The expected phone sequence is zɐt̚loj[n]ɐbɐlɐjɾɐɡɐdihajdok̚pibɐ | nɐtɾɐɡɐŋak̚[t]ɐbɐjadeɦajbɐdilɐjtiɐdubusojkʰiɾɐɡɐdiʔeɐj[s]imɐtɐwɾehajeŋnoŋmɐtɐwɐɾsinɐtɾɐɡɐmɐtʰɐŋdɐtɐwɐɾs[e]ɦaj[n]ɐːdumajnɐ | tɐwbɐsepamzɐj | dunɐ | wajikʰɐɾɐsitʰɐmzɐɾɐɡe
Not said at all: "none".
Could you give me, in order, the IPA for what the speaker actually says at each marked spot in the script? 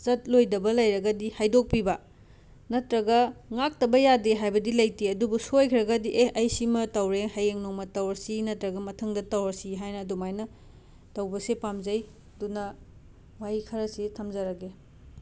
d, t, s, i, n

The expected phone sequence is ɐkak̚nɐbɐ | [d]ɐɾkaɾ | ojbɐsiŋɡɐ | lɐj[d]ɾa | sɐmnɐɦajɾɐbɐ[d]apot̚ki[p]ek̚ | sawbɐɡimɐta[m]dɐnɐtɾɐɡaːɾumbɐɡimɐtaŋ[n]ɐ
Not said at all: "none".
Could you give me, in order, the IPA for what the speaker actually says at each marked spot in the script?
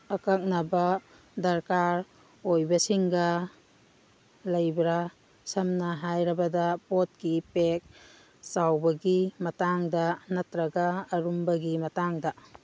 d, b, d, p, ŋ, d

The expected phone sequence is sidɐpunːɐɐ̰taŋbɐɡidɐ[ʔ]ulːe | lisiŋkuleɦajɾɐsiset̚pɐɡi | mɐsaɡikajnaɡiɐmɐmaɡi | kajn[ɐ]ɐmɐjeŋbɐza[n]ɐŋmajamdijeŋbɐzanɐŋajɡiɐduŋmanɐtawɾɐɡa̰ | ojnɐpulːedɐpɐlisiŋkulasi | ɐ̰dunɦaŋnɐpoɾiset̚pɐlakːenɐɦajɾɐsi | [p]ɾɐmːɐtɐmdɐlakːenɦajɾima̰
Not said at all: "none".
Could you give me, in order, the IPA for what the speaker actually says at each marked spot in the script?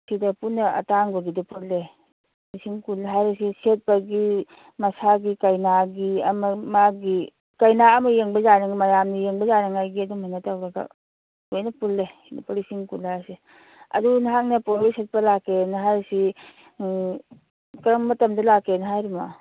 p, a, n, k

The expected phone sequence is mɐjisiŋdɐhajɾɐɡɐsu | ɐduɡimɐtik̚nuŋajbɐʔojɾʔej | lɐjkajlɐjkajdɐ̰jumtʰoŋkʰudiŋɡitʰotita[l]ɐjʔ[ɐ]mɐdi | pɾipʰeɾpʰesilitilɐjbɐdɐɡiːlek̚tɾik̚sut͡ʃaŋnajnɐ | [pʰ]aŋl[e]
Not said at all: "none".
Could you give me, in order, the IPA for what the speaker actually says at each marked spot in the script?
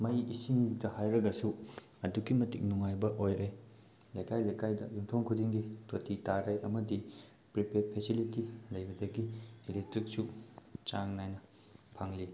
ɾ, ɐ, pʰ, i

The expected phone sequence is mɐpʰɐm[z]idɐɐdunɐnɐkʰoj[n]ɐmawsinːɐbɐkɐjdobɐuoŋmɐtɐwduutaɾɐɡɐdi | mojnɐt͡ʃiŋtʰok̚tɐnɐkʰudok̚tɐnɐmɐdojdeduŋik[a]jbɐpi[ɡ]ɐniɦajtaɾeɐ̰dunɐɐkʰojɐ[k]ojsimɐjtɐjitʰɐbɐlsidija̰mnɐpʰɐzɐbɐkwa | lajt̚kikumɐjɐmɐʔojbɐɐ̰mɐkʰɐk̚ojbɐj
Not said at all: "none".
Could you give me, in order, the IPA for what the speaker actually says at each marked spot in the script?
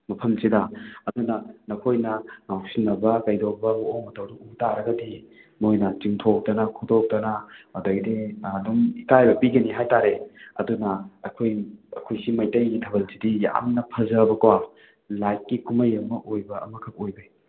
s, n, a, ɡ, kʰ

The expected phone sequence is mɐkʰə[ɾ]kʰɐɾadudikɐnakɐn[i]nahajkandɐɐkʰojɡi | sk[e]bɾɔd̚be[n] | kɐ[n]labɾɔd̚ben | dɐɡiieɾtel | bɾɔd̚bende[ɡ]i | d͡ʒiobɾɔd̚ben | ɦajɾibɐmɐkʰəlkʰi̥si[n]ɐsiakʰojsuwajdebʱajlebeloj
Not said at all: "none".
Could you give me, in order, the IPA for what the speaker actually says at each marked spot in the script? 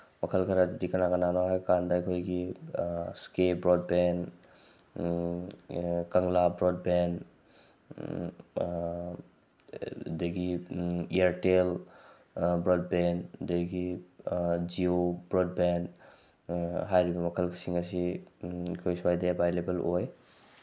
l, a, e, n, ŋ, ɡ, ŋ

